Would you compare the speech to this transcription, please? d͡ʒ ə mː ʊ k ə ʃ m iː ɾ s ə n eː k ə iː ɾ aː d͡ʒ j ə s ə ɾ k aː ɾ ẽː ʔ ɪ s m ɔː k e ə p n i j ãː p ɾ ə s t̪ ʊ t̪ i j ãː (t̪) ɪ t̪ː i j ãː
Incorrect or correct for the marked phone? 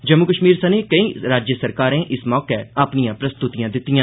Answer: incorrect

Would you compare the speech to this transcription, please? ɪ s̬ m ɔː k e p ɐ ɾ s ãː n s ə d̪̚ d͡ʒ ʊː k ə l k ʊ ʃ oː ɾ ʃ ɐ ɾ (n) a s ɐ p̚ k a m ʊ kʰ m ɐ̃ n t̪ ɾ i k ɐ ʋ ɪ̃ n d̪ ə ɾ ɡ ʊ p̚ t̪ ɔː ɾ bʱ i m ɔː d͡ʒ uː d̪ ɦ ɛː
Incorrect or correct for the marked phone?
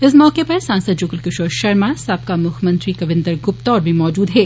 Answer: incorrect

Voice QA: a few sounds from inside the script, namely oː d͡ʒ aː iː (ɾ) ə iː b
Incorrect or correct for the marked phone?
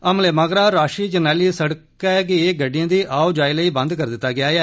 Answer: incorrect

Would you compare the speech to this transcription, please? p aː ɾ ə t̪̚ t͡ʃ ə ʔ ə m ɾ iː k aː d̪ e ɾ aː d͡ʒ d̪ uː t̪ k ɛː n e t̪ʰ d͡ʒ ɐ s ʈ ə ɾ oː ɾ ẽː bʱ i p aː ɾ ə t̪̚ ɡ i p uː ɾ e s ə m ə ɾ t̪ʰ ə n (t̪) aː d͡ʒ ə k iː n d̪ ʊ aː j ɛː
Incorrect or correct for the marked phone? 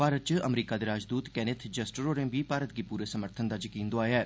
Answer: incorrect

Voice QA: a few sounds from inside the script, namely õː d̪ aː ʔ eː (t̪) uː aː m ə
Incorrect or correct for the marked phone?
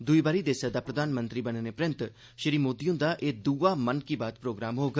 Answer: incorrect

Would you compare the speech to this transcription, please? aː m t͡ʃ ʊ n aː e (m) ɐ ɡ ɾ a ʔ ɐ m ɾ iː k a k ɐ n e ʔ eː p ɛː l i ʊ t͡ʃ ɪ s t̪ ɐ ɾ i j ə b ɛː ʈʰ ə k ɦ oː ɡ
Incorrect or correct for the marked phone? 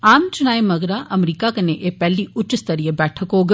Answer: correct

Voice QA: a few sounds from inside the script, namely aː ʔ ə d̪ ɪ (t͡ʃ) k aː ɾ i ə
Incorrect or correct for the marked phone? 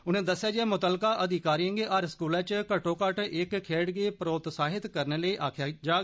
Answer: incorrect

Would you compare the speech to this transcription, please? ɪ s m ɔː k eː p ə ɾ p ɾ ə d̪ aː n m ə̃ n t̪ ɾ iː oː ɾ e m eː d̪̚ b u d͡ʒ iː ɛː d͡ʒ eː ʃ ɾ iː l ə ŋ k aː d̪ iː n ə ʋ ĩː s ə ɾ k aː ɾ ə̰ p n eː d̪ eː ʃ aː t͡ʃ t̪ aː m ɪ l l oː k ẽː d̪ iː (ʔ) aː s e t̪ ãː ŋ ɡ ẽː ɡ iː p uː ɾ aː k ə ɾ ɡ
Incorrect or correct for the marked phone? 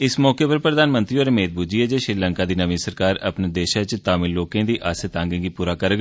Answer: correct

